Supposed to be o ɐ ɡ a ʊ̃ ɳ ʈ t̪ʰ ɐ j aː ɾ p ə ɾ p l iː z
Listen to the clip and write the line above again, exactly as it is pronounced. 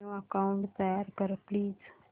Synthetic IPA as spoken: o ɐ k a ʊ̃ ɳ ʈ t̪ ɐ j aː ɾ k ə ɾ p l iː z